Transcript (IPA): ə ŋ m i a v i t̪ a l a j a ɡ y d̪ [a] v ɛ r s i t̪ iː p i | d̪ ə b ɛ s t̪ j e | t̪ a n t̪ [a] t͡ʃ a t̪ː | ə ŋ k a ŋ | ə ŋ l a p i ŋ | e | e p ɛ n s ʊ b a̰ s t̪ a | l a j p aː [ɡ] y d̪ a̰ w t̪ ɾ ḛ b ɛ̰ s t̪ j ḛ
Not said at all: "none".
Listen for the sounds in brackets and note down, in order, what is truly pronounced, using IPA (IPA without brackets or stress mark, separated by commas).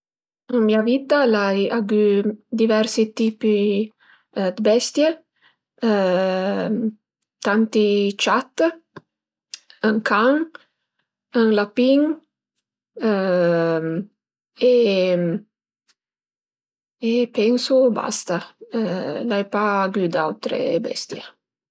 i, i, ɡ